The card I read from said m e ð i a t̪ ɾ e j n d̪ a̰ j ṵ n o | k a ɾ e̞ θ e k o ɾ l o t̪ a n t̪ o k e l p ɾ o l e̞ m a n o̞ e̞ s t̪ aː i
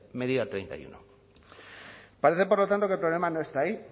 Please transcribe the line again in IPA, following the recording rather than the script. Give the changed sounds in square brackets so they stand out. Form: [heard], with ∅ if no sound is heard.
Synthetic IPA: m e ð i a t̪ ɾ e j n [t̪] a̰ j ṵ n o | [p] a ɾ e̞ θ e [p] o ɾ l o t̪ a n t̪ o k e l p ɾ o l e̞ m a n o̞ e̞ s t̪ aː i